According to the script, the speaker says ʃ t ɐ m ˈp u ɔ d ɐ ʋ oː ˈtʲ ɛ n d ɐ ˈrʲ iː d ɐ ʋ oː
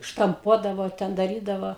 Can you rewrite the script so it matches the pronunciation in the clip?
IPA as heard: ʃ t ɐ m ˈp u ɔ d ɐ ʋ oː ˈtʲ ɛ n d ɐ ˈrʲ iː d ɐ ʋ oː